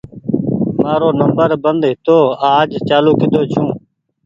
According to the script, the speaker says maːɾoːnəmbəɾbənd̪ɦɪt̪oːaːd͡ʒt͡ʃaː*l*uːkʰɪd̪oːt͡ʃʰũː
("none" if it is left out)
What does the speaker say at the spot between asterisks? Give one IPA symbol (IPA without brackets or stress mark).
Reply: l